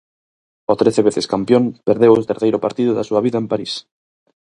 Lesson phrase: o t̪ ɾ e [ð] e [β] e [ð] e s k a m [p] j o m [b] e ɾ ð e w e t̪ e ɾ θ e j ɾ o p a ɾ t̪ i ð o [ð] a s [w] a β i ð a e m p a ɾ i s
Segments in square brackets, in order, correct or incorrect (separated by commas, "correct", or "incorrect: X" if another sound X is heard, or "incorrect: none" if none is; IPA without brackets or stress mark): incorrect: θ, correct, incorrect: θ, correct, incorrect: p, correct, incorrect: u